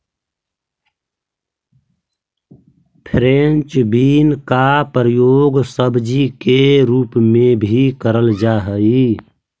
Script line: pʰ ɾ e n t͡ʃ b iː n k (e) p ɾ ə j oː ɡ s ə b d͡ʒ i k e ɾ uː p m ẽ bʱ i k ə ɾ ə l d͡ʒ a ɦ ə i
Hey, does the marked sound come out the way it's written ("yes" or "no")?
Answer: no